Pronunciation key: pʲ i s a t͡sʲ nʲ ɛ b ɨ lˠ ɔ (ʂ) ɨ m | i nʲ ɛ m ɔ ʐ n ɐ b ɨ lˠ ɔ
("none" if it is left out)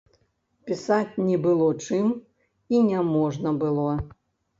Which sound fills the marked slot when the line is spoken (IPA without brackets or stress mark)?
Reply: t͡ʂ